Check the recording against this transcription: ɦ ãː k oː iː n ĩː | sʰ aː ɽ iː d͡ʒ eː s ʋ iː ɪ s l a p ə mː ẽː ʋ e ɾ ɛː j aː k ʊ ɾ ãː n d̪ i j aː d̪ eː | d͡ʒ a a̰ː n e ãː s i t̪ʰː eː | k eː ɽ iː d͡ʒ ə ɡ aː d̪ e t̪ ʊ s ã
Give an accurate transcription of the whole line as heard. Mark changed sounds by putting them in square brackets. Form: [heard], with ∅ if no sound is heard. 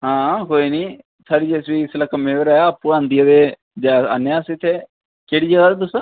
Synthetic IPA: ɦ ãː k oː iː n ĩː | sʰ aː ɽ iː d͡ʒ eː s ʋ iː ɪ s l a [k] ə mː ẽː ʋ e ɾ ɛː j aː [p] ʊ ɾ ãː n d̪ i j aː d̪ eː | d͡ʒ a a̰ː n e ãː s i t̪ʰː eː | k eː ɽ iː d͡ʒ ə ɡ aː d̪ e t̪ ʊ s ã